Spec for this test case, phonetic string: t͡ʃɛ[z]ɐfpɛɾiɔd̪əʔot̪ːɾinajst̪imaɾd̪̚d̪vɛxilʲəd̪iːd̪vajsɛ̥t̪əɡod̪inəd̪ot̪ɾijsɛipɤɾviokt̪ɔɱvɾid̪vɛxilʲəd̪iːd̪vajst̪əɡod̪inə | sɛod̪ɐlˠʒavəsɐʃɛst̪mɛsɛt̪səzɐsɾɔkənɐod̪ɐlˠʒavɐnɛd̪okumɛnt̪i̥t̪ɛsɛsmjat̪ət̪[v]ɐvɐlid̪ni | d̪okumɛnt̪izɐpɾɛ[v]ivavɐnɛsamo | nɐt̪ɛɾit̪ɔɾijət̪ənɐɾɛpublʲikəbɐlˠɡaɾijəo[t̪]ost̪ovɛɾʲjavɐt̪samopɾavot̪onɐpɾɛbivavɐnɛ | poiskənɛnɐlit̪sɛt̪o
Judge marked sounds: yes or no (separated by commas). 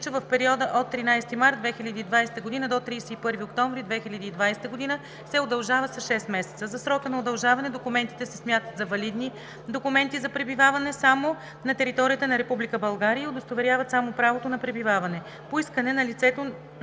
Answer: no, no, no, no